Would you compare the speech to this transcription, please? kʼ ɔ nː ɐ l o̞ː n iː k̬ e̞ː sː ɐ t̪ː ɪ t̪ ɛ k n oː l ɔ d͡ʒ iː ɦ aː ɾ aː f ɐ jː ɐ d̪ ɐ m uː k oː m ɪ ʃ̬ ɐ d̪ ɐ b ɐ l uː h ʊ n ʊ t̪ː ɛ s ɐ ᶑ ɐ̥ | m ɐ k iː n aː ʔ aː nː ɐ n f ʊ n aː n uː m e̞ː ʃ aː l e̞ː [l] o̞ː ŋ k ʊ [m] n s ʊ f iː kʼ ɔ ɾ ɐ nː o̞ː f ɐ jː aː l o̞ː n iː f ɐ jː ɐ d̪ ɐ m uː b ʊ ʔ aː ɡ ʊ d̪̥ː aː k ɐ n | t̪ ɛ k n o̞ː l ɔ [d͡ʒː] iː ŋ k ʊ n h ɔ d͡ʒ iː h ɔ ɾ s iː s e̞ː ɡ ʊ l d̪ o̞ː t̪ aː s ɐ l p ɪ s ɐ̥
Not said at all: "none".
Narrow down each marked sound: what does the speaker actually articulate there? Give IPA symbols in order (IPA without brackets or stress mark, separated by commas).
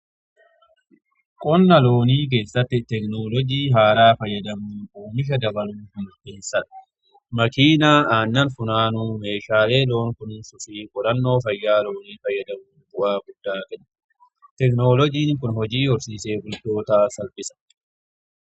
l, n, d͡ʒ